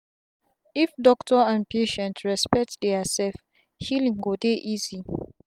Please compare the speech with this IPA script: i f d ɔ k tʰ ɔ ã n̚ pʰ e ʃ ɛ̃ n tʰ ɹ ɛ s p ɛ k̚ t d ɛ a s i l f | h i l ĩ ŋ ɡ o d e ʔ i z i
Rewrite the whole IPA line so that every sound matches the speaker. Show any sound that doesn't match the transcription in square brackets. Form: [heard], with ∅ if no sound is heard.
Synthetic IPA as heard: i f d ɔ k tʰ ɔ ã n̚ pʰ e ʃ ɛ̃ n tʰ ɹ ɛ s p ɛ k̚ t d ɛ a s [ɛ] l f | h i l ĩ ŋ ɡ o d e ʔ i z i